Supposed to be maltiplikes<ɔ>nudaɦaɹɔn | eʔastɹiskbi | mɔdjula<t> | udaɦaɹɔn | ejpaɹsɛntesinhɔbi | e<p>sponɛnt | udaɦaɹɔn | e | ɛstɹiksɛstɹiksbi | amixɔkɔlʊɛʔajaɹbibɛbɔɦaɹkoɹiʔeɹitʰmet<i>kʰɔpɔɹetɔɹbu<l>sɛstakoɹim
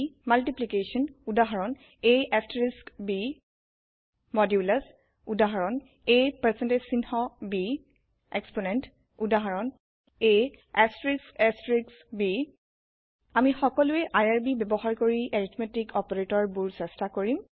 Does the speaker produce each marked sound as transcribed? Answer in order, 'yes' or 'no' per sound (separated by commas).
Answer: yes, no, no, yes, no